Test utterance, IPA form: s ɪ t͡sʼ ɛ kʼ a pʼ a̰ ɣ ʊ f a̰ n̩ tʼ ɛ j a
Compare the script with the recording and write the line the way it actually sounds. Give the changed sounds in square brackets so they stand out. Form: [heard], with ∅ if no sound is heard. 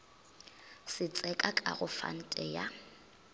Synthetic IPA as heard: s ɪ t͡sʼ ɛ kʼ a [kʼ] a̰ ɣ ʊ f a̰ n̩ tʼ ɛ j a